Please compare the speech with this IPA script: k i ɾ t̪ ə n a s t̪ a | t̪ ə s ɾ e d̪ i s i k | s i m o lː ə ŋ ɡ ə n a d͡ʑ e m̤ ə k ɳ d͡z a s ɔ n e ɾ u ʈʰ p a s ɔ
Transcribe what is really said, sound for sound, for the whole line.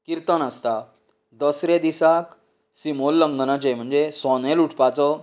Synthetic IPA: k i ɾ t̪ ə n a s t̪ a | d̪ ə s ɾ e d̪ i s a k | s i m o lː ə ŋ ɡ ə n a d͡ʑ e m̤ ə ɳ d͡z e s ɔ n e l u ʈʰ p a t͡s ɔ